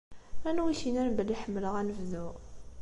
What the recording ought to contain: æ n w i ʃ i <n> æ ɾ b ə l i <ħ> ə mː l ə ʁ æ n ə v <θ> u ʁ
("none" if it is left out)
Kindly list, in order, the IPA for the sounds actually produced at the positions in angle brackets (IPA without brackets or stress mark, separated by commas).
n, ħ, ð